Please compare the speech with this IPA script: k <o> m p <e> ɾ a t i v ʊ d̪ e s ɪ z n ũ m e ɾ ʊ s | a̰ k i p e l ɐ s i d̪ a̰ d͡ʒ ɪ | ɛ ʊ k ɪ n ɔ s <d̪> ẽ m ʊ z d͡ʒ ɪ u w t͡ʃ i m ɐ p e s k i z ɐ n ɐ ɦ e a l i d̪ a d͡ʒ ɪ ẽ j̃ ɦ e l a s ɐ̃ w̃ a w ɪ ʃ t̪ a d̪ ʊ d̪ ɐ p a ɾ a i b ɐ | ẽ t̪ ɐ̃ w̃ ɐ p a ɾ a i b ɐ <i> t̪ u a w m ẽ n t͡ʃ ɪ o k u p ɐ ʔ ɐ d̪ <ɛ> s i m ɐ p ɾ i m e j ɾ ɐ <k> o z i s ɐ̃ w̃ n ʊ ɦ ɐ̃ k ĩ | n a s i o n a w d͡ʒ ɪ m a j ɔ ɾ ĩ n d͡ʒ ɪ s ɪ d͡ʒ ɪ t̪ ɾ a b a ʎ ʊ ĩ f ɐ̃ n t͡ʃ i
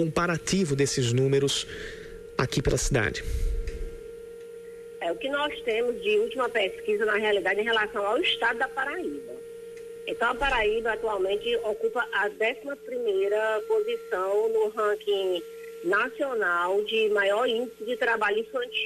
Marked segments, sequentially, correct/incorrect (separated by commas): incorrect, incorrect, incorrect, incorrect, correct, incorrect